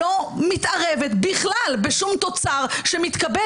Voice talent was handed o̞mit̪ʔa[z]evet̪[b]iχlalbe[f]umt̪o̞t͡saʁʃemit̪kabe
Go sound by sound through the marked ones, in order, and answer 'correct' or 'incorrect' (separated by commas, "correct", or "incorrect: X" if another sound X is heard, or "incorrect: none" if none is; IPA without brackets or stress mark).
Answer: incorrect: ʁ, correct, incorrect: ʃ